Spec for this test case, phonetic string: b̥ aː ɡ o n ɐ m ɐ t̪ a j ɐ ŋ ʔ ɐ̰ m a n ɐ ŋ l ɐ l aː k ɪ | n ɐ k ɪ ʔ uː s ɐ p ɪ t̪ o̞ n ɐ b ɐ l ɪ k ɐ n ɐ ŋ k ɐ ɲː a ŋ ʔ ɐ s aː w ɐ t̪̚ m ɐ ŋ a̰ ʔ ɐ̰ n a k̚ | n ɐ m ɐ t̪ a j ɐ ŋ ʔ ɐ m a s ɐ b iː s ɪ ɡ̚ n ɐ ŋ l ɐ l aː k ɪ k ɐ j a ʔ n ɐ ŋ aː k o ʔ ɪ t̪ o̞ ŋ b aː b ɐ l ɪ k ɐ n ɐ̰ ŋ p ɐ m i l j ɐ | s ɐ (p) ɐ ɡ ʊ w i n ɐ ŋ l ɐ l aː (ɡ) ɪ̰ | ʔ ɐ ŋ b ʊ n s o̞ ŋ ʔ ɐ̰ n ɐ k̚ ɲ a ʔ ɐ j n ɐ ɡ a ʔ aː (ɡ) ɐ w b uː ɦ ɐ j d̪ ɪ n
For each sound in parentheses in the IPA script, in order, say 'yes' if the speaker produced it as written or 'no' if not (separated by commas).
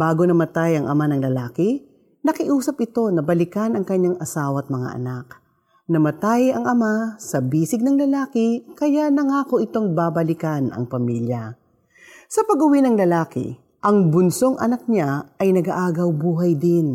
yes, no, yes